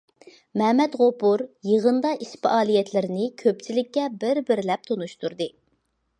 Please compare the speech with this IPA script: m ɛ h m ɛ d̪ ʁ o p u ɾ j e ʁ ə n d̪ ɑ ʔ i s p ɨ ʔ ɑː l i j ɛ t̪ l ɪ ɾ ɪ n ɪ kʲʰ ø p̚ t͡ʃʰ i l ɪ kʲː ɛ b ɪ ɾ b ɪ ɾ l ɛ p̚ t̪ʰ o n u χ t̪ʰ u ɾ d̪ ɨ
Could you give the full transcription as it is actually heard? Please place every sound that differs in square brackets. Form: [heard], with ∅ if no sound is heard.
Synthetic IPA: m ɛ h m ɛ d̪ ʁ o p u ɾ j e ʁ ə n d̪ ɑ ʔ i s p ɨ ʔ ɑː l i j ɛ t̪ l ɪ ɾ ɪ n ɪ kʲʰ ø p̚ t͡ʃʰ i l ɪ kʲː ɛ b ɪ ɾ b ɪ ɾ l ɛ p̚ t̪ʰ o n u [ʃ] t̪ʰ u ɾ d̪ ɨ